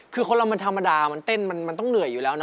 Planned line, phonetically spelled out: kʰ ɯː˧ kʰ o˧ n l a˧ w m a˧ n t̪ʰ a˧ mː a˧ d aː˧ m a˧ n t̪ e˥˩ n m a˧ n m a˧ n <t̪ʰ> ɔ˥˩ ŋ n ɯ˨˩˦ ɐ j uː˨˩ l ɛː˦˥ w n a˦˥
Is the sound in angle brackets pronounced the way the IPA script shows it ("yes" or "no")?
no